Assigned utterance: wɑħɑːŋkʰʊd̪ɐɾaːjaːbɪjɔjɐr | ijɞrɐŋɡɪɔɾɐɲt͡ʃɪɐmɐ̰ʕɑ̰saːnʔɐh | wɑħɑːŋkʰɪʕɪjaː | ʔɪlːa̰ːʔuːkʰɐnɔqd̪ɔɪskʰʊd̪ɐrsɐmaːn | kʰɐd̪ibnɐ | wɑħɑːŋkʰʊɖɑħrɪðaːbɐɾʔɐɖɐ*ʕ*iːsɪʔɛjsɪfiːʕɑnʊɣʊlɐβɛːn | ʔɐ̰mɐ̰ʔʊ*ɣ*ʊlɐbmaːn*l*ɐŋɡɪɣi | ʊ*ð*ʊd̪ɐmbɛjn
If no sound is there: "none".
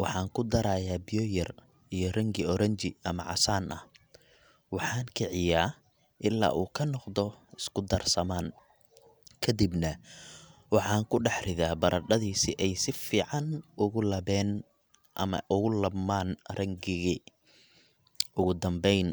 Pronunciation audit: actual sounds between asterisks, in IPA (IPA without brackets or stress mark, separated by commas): ð, ɣ, r, ɣ